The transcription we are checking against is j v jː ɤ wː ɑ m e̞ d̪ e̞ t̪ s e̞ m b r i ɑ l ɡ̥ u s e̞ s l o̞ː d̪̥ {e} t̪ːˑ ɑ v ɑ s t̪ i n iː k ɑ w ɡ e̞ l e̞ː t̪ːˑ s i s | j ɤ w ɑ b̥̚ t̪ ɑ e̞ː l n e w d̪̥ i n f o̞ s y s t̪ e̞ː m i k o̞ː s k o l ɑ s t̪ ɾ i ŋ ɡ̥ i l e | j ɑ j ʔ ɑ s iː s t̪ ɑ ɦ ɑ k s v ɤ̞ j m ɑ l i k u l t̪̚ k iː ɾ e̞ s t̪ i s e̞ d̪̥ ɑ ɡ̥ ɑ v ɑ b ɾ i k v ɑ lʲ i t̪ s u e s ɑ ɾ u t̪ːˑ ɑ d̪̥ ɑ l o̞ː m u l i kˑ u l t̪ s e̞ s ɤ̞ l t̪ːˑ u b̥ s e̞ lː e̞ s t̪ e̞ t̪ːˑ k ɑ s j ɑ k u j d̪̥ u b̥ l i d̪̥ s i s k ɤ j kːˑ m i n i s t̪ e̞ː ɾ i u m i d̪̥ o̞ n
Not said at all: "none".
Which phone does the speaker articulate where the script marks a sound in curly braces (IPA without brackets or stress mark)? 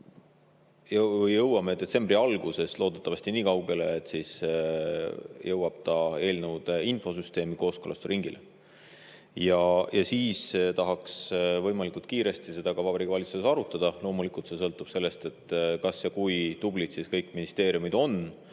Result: e